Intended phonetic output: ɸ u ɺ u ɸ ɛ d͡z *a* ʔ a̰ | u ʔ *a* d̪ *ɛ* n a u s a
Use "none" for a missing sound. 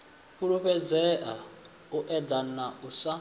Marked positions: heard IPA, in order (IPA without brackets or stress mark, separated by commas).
ɛ, ɛ, a